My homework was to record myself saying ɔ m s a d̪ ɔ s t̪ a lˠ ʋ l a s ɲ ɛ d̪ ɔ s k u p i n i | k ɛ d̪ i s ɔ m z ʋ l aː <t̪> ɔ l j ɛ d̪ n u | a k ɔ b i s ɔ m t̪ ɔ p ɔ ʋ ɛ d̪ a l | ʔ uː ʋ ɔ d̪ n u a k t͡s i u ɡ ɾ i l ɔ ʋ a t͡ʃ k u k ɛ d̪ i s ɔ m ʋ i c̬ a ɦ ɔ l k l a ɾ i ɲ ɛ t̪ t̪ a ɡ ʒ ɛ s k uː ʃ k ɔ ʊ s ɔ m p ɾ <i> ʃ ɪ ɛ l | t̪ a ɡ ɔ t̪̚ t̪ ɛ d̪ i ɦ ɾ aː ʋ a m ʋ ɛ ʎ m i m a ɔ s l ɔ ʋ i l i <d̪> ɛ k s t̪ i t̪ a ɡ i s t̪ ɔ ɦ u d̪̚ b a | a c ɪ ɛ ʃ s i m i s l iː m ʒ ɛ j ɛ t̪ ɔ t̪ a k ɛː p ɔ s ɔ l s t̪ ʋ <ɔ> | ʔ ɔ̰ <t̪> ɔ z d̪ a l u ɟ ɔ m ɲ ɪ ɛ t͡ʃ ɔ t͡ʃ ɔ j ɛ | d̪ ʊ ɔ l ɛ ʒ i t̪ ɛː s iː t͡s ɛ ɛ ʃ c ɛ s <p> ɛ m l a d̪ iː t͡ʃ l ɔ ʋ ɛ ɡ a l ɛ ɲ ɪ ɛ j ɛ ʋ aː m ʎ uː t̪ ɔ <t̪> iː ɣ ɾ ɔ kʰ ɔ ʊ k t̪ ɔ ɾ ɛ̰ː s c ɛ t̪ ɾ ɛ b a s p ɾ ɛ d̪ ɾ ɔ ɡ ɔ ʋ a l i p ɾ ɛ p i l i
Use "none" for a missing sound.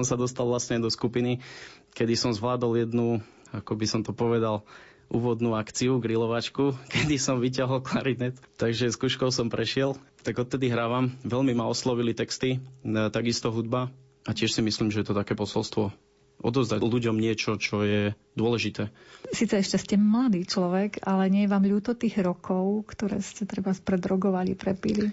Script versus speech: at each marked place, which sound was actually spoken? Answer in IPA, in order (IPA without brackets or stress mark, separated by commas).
d̪, ɛ, t̪, ɔ, d̪, c, t̪